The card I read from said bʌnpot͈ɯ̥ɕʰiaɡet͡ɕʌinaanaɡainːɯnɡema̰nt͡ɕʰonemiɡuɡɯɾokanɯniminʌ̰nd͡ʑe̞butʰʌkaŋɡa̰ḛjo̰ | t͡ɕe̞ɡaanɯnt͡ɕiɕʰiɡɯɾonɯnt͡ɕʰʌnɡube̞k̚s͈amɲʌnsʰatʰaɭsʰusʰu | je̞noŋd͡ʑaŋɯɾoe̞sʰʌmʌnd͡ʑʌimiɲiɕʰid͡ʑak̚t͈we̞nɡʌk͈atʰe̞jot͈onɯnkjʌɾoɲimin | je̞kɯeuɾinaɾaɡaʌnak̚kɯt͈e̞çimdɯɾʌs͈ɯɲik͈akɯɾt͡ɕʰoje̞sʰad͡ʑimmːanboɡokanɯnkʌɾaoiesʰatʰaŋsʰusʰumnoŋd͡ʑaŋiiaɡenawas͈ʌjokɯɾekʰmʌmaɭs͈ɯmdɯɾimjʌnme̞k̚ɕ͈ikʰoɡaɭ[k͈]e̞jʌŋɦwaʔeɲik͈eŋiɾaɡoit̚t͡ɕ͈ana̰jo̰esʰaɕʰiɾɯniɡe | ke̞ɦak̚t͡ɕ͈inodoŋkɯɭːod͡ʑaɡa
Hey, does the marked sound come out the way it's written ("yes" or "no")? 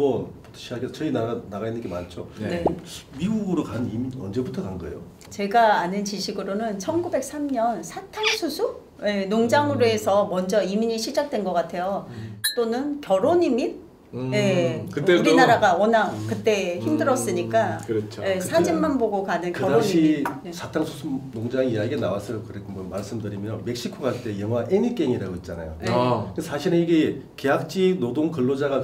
no